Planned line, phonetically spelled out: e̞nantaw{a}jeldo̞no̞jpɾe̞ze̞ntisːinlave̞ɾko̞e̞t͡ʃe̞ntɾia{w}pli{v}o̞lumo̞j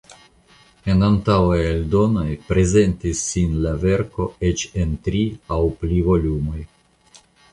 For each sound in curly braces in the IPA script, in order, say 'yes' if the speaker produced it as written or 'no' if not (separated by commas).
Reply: yes, yes, yes